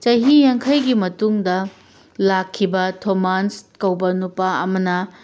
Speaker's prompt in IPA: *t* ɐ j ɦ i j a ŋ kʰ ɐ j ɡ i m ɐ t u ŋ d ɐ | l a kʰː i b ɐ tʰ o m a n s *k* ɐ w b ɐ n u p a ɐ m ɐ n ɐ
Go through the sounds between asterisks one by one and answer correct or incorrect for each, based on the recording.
incorrect: t͡ʃ, correct

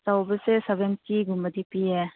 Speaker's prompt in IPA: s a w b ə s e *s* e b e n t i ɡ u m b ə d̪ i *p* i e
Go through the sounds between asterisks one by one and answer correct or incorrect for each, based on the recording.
correct, correct

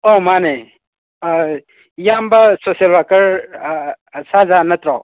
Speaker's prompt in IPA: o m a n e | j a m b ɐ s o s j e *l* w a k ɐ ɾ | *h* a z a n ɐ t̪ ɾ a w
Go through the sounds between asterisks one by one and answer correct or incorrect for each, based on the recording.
correct, incorrect: s

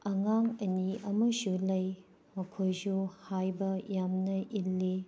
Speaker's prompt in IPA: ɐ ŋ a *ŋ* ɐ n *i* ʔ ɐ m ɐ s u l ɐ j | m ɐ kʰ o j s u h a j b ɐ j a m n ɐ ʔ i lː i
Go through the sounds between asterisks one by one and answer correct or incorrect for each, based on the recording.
correct, correct

